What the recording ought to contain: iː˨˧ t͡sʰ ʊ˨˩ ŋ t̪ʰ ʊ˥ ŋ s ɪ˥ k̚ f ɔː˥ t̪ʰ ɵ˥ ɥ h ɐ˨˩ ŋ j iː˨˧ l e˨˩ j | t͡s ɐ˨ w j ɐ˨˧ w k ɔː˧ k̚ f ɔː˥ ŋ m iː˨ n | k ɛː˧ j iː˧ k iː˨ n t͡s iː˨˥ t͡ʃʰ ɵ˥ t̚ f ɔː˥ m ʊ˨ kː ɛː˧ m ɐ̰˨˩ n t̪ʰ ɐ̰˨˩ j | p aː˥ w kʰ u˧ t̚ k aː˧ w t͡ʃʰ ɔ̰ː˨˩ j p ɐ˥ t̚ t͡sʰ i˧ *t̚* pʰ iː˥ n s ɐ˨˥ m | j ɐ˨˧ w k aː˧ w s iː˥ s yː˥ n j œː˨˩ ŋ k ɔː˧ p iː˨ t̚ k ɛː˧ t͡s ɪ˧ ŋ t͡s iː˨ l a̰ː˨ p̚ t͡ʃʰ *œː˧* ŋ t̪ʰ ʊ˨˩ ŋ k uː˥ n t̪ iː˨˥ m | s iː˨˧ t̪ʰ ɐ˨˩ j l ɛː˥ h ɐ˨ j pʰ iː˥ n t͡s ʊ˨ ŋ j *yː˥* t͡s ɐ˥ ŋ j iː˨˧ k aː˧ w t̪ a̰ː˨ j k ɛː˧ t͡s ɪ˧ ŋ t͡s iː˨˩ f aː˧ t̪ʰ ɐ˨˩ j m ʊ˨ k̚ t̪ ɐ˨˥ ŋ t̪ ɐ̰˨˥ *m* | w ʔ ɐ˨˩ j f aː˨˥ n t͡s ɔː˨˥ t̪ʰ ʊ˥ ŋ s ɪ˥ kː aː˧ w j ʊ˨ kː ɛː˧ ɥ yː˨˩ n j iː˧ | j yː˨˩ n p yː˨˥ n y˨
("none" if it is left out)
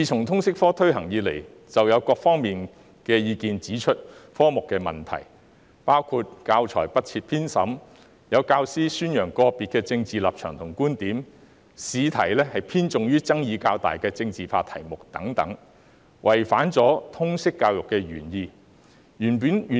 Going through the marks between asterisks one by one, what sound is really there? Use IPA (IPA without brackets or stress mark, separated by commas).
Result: t̚, œː˨˩, yː˥, ŋ